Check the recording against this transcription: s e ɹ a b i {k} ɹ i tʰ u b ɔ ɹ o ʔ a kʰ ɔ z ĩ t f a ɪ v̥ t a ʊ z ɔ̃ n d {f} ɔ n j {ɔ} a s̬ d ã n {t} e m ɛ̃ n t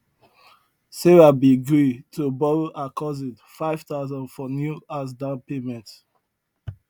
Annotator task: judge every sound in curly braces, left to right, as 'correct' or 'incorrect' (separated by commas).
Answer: incorrect, correct, incorrect, incorrect